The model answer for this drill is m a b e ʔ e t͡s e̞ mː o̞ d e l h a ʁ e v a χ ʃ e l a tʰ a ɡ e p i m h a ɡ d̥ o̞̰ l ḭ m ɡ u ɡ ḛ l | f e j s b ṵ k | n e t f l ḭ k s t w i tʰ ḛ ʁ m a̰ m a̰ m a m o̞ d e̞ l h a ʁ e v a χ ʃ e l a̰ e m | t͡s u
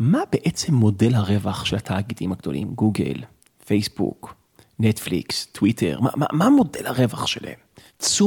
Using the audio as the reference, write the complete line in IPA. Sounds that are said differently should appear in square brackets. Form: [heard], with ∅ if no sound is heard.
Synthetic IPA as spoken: m a b e ʔ e t͡s e̞ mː o̞ d e l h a ʁ e v a χ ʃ e l a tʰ a ɡ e [t] i m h a ɡ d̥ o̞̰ l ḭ m ɡ u ɡ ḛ l | f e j s b ṵ k | n e t f l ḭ k s t w i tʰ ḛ ʁ m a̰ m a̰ m a m o̞ d e̞ l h a ʁ e v a χ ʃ e l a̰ e m | t͡s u